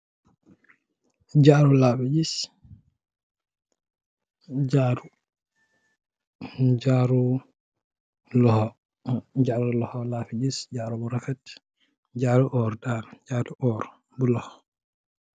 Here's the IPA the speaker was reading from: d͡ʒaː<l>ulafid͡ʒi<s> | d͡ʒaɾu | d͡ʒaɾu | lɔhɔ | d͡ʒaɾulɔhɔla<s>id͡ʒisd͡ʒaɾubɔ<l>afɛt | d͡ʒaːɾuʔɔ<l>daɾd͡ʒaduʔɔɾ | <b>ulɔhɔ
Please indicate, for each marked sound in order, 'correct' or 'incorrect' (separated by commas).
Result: incorrect, correct, incorrect, incorrect, incorrect, correct